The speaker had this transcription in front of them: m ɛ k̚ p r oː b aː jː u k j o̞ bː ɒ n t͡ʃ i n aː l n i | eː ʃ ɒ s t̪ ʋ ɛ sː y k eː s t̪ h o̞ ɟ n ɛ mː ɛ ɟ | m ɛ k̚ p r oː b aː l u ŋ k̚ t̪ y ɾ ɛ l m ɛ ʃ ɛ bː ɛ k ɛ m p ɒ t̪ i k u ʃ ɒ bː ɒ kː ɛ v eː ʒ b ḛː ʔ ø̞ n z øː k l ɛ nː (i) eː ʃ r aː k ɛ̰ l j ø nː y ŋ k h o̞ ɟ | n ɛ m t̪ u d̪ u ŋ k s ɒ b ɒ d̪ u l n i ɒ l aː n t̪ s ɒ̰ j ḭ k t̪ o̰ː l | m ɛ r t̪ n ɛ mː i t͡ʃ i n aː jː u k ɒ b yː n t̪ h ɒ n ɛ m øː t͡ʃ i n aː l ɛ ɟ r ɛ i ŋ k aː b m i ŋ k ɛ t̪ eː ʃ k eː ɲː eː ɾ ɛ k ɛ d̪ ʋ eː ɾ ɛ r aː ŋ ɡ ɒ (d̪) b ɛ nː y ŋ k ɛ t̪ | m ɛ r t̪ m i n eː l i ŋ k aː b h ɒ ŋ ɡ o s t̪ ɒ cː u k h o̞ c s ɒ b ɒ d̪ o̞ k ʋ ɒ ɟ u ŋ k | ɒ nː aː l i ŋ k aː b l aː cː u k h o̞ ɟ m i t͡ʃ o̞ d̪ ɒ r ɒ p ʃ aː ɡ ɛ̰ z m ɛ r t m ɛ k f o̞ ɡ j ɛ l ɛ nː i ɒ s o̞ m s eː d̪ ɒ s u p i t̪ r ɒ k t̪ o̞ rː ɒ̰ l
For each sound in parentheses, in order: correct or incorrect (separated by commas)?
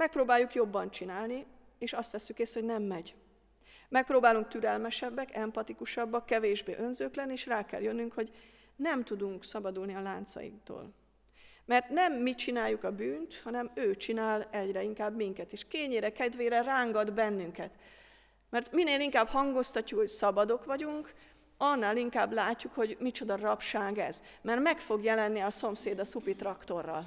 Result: correct, correct